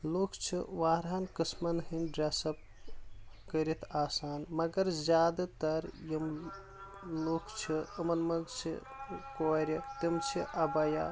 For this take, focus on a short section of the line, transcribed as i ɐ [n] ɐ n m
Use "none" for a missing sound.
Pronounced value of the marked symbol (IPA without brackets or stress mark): m